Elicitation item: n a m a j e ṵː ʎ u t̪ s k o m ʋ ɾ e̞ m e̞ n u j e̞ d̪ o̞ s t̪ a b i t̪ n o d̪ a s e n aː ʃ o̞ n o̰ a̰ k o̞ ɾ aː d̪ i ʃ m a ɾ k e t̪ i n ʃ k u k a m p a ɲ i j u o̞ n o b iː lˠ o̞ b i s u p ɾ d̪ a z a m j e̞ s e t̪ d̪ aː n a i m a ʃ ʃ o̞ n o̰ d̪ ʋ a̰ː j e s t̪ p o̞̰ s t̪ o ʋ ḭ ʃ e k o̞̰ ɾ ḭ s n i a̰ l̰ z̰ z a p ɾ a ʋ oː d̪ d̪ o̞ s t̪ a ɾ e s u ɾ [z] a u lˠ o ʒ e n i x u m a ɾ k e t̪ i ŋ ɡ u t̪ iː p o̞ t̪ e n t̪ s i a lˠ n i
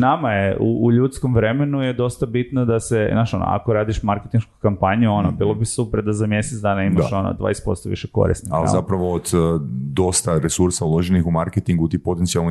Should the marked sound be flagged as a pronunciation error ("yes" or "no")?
yes